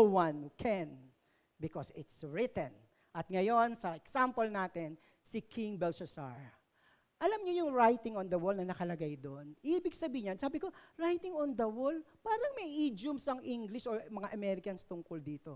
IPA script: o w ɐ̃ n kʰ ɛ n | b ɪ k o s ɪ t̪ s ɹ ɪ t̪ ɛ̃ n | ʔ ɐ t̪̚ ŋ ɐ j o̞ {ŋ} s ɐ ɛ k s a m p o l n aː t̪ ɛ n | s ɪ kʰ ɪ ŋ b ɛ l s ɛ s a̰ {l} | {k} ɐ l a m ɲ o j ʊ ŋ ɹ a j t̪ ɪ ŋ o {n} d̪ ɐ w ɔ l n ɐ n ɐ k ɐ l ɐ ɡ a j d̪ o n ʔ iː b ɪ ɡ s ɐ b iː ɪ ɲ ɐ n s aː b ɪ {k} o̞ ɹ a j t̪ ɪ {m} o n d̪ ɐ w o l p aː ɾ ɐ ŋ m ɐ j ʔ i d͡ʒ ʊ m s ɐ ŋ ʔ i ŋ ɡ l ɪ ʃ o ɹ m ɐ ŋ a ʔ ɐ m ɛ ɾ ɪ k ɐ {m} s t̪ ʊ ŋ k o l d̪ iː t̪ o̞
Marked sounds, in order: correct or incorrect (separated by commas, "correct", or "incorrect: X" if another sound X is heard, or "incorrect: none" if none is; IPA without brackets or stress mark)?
incorrect: n, incorrect: ɹ, incorrect: ʔ, correct, correct, incorrect: ŋ, incorrect: n